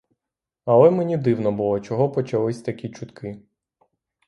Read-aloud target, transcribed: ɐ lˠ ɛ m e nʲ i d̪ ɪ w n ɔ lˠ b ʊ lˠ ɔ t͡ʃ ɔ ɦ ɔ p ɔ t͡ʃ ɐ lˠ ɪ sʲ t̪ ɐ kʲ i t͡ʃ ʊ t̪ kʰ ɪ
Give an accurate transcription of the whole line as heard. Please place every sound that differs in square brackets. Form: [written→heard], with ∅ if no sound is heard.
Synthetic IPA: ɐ lˠ ɛ m e nʲ i d̪ ɪ w n ɔ [lˠ→∅] b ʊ lˠ ɔ t͡ʃ ɔ ɦ ɔ p ɔ t͡ʃ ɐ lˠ ɪ sʲ t̪ ɐ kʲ i t͡ʃ ʊ t̪ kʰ ɪ